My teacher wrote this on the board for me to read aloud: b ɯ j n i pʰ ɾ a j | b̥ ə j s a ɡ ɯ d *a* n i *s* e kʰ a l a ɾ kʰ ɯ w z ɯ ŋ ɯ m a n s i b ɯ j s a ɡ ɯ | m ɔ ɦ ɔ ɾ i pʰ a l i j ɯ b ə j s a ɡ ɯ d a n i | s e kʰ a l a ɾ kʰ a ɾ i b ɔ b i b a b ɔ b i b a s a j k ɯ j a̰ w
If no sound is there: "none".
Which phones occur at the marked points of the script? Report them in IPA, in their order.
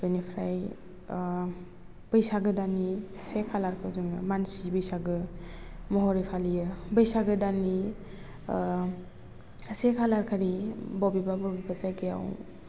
a, s

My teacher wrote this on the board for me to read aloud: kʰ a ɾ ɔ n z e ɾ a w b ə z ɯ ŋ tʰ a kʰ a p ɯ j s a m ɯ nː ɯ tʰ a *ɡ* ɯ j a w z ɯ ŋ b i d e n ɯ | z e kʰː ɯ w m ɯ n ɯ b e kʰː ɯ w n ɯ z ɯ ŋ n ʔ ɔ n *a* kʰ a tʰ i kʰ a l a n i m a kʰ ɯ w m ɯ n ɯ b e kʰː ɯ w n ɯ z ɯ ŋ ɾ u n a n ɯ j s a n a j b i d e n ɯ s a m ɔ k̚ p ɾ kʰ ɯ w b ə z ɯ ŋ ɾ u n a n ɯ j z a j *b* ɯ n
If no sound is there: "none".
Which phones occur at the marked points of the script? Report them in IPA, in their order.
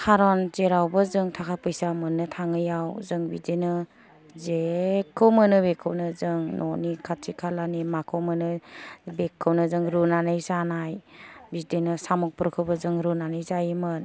ŋ, i, m

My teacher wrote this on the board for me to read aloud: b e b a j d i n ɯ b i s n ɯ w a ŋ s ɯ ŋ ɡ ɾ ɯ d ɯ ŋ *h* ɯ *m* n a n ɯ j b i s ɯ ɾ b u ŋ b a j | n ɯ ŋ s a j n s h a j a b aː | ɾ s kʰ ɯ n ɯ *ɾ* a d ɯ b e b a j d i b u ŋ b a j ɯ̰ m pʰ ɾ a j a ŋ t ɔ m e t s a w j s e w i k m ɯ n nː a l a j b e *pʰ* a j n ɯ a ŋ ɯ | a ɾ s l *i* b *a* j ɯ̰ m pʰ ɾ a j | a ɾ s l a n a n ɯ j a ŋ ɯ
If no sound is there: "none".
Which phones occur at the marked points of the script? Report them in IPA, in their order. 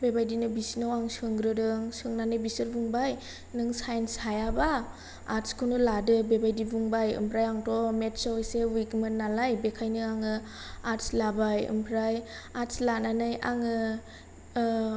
s, ŋ, l, kʰ, a, a

